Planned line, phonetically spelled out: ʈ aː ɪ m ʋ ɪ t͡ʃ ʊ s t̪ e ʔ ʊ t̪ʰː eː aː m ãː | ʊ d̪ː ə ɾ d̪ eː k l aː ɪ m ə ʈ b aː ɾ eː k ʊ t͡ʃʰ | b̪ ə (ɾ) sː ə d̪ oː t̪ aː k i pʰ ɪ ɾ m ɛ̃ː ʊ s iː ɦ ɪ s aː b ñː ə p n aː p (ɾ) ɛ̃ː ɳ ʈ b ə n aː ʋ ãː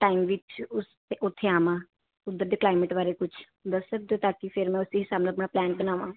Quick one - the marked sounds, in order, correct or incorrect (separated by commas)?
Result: incorrect, incorrect